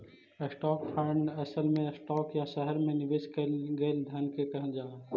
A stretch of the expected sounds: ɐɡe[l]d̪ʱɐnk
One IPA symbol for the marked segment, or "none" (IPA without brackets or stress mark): l